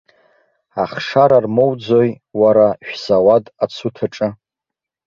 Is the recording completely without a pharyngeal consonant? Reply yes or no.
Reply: yes